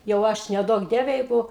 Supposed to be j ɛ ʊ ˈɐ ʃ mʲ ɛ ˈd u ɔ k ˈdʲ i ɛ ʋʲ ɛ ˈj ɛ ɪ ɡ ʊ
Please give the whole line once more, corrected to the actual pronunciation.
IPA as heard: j ɛ ʊ ˈɐ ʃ nʲ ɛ ˈd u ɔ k ˈdʲ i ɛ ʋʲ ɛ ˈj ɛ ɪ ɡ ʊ